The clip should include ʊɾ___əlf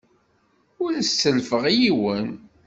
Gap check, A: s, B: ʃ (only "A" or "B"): A